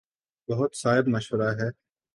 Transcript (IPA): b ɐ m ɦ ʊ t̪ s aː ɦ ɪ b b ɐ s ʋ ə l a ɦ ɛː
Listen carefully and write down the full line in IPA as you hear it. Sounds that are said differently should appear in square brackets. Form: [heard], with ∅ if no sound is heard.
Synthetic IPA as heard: b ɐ [∅] ɦ ʊ t̪ s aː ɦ ɪ b [m] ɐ [ʃ] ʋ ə [ɾ] a ɦ ɛː